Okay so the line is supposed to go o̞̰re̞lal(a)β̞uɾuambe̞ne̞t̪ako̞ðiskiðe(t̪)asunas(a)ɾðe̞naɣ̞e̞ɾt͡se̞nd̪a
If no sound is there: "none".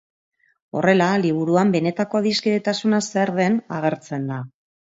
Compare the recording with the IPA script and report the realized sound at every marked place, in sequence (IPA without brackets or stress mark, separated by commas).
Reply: i, t̪, e